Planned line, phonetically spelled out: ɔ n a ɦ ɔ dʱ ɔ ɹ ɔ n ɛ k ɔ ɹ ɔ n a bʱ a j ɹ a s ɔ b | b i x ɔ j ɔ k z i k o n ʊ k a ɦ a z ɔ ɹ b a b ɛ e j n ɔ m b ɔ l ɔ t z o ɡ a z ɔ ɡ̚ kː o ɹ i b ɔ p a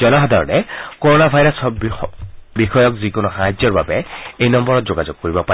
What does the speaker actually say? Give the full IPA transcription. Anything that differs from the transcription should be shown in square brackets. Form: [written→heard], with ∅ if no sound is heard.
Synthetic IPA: ɔ n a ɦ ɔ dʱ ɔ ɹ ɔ n ɛ k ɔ ɹ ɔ n a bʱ a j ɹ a s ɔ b | b i x ɔ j ɔ k z i k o n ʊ [k→x] a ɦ a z ɔ ɹ b a b ɛ e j n ɔ m b ɔ [l→ɹ] ɔ t z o ɡ a z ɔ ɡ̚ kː o ɹ i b ɔ p a